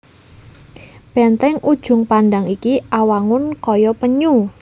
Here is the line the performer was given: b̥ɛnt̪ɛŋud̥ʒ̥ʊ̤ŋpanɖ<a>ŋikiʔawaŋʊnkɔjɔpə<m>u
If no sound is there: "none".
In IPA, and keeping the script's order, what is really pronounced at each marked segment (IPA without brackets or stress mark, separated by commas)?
a, ɲ